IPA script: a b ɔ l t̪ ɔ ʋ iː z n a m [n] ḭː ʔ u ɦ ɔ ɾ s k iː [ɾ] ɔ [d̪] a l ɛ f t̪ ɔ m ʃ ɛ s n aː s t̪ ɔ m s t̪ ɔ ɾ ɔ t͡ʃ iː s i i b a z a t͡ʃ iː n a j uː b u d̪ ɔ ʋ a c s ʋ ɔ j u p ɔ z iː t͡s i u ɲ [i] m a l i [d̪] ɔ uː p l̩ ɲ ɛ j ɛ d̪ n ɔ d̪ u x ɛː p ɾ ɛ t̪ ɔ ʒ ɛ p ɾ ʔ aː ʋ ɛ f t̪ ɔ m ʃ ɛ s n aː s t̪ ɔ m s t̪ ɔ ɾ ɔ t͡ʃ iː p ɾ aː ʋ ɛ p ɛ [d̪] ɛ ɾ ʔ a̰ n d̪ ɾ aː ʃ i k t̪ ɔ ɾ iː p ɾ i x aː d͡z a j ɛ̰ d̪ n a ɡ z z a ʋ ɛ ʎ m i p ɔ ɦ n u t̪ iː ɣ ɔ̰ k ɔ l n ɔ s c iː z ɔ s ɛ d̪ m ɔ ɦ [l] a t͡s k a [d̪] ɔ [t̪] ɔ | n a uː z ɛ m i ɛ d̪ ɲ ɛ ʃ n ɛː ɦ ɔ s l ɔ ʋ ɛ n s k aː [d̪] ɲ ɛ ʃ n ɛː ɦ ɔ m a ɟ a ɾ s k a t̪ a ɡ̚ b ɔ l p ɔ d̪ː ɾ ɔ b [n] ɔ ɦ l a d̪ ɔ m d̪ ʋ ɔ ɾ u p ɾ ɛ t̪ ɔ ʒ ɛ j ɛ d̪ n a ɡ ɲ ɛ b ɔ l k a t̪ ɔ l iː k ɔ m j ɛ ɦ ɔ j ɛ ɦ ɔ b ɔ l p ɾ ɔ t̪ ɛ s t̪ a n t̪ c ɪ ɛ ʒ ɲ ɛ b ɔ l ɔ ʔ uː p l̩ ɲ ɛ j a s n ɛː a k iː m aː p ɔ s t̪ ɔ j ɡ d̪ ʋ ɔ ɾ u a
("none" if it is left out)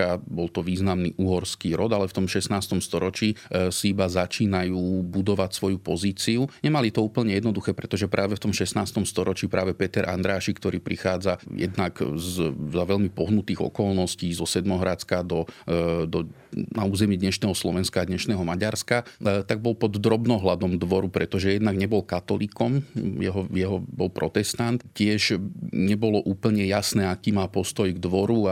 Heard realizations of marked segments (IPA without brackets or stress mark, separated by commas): n, ɾ, d̪, ɛ, t̪, t̪, ɾ, d̪, d̪, d̪, n